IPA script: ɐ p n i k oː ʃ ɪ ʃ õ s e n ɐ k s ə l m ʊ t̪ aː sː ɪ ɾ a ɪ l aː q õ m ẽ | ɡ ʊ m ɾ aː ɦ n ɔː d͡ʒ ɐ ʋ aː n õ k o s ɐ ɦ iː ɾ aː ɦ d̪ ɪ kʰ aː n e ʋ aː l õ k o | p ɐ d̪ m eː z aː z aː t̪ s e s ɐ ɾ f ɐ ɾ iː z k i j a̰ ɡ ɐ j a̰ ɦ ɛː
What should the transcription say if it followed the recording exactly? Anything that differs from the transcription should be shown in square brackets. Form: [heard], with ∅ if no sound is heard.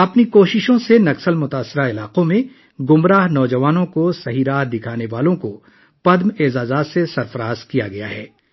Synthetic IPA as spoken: ɐ p n i k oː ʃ ɪ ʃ õ s e n ɐ k s ə l m ʊ t̪ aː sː ɪ ɾ a ɪ l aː q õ m ẽ | ɡ ʊ m ɾ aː ɦ n ɔː d͡ʒ ɐ ʋ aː n õ k o s ɐ ɦ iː ɾ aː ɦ d̪ ɪ kʰ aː n e ʋ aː l õ k o | p ɐ d̪ m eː z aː z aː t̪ s e s ɐ ɾ f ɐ ɾ [aː] z k i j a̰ ɡ ɐ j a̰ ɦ ɛː

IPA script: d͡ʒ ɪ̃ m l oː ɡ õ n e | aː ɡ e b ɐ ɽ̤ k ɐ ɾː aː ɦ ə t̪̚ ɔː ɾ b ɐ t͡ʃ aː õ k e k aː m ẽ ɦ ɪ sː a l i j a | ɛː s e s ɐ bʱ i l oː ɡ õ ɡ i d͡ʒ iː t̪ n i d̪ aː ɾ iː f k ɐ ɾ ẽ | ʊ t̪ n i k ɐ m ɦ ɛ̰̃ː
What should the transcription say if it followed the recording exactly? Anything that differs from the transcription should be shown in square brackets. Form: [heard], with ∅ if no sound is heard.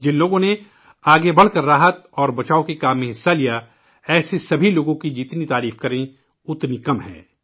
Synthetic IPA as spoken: d͡ʒ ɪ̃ [n] l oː ɡ õ n e | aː ɡ e b ɐ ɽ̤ k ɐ ɾː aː ɦ ə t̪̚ ɔː ɾ b ɐ t͡ʃ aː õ k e k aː m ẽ ɦ ɪ sː a l i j a | ɛː s e s ɐ bʱ i l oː ɡ õ [k] i d͡ʒ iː t̪ n i [t̪] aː ɾ iː f k ɐ ɾ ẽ | ʊ t̪ n i k ɐ m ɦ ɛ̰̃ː

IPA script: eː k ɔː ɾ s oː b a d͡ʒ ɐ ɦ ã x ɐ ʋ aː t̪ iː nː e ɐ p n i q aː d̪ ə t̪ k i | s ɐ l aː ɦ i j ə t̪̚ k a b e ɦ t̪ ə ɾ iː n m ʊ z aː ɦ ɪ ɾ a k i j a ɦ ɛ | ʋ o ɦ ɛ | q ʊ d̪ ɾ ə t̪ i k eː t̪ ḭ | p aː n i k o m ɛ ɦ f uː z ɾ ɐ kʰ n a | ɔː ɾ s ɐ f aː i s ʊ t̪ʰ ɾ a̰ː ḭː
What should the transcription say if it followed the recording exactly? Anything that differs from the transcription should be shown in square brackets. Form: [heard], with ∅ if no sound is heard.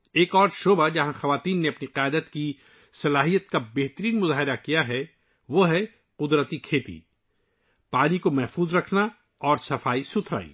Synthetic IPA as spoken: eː k ɔː ɾ [ʃ] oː b a d͡ʒ ɐ ɦ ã x ɐ ʋ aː t̪ iː nː e ɐ p n i q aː d̪ ə t̪ k i | s ɐ l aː ɦ i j ə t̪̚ k a b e ɦ t̪ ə ɾ iː n m ʊ z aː ɦ ɪ ɾ a k i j a ɦ ɛ | ʋ o ɦ ɛ | q ʊ d̪ ɾ ə t̪ i [kʰ] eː t̪ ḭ | p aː n i k o m ɛ ɦ f uː z ɾ ɐ kʰ n a | ɔː ɾ s ɐ f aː i s ʊ t̪ʰ ɾ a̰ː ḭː

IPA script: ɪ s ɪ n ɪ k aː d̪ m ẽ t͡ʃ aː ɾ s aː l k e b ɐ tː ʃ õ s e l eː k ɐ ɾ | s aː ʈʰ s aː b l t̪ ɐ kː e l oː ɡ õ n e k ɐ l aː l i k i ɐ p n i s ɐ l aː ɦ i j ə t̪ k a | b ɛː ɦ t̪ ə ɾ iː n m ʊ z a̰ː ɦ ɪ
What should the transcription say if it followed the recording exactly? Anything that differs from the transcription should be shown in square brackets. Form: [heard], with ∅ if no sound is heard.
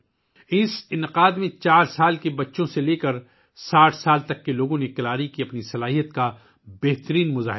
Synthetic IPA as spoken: ɪ s ɪ n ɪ [q] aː d̪ m ẽ t͡ʃ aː ɾ s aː l k e b ɐ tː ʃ õ s e l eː k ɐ ɾ | s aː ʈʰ s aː [∅] l t̪ ɐ kː e l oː ɡ õ n e k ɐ l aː [ɾ] i k i ɐ p n i s ɐ l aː ɦ i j ə t̪ k a | b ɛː ɦ t̪ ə ɾ iː n m ʊ z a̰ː ɦ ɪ

